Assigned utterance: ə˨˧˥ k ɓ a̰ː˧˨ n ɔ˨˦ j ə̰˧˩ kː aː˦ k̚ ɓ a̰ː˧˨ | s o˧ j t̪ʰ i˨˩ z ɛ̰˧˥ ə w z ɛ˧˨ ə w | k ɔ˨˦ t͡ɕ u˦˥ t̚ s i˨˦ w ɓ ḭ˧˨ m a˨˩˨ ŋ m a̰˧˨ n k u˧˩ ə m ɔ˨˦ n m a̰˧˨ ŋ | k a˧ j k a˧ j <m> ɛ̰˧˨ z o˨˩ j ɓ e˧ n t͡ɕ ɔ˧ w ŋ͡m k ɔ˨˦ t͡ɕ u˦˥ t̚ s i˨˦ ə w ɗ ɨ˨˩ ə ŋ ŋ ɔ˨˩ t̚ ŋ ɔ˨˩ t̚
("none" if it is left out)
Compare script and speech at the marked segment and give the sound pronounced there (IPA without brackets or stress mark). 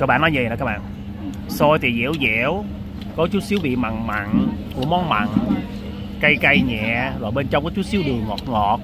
ɲ